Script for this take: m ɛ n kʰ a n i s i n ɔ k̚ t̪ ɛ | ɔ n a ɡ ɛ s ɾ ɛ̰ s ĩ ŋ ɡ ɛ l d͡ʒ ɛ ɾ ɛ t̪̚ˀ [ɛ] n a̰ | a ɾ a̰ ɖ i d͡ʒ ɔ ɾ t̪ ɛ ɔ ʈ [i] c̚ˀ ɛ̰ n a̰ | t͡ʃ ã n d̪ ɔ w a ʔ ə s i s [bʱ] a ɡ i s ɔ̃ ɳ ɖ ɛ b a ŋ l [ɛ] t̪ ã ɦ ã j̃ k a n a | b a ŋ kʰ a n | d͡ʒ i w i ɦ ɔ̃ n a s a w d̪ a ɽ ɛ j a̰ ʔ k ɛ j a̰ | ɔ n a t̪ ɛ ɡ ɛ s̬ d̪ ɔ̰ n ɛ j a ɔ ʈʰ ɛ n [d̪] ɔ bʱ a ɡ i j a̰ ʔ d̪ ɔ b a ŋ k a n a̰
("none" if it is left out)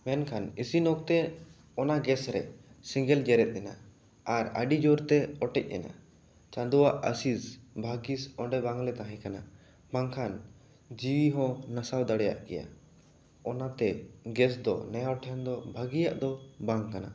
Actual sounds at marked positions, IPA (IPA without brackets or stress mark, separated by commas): ɛ, ɛ, bʱ, ɛ, d̪